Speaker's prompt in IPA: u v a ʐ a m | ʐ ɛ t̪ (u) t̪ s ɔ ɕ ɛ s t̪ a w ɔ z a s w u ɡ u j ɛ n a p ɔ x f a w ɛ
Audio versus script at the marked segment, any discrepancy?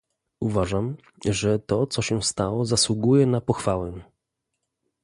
yes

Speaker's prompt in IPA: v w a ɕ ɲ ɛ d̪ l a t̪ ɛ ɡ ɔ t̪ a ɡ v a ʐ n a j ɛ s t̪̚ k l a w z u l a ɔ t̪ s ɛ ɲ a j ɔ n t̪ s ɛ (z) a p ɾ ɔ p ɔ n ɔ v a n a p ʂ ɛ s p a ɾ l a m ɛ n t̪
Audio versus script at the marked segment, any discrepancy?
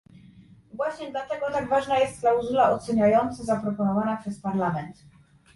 no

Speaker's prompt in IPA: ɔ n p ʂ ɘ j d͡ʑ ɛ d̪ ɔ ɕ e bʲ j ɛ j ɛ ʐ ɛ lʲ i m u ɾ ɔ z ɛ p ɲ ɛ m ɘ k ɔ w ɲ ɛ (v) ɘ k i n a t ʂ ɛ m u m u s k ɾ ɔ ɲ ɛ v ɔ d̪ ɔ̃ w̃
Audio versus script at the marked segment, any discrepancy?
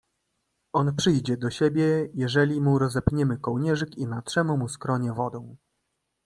yes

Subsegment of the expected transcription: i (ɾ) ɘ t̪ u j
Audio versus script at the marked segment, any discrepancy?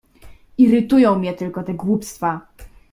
no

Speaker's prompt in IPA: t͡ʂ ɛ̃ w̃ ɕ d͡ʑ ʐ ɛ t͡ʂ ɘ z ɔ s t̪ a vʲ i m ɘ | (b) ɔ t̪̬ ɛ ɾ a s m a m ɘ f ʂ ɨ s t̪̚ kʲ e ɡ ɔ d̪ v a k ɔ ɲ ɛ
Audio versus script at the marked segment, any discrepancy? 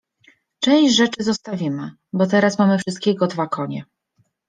no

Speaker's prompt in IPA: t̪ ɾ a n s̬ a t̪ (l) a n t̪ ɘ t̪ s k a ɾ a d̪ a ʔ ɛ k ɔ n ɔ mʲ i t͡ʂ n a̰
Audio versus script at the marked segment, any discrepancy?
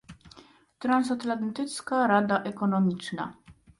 no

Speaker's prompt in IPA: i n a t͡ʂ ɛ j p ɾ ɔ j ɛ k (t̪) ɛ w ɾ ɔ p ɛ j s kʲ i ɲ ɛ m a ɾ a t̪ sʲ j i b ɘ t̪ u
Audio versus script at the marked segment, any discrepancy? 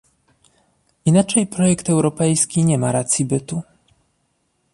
no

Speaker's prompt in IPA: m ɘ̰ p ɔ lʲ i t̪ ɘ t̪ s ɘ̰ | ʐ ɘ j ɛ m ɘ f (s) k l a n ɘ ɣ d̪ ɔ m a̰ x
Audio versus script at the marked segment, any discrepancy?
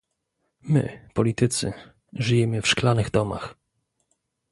yes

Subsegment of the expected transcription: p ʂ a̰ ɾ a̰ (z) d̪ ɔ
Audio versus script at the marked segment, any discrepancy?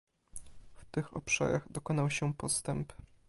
yes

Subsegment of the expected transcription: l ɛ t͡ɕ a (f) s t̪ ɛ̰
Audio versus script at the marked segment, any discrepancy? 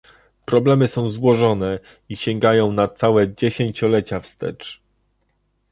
no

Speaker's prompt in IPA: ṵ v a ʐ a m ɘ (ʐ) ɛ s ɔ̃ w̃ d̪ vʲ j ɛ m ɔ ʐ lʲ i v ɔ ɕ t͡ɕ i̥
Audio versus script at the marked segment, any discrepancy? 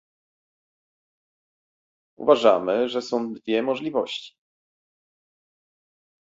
no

